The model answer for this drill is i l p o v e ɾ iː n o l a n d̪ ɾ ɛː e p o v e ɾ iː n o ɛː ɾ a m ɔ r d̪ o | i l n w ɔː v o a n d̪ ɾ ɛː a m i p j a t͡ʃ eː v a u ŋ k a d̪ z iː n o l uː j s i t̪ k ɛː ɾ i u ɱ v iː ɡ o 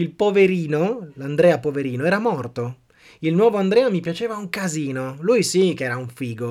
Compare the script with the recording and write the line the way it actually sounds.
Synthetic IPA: i l p o v e ɾ iː n o l a n d̪ ɾ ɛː a p o v e ɾ iː n o ɛː ɾ a m ɔ r t̪ o | i l n w ɔː v o a n d̪ ɾ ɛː a m i p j a t͡ʃ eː v a u ŋ k a z iː n o l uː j s i k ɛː ɾ a u ɱ f iː ɡ o